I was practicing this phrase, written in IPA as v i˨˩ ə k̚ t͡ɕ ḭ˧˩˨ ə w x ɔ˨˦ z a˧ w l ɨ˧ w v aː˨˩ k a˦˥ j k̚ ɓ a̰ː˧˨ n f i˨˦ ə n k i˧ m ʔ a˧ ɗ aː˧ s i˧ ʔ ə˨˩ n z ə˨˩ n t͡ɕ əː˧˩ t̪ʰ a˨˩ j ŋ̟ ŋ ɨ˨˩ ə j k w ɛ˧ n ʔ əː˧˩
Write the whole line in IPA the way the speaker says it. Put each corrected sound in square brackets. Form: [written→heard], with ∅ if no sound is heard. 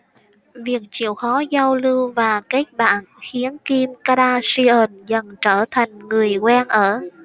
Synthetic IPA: v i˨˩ ə k̚ t͡ɕ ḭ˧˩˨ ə w x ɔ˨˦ z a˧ w l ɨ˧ w v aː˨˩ k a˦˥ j k̚ ɓ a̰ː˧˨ n [f→x] i˨˦ ə n k i˧ m [ʔ→k] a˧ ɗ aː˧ s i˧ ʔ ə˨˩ n z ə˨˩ n t͡ɕ əː˧˩ t̪ʰ a˨˩ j ŋ̟ ŋ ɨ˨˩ ə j k w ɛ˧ n ʔ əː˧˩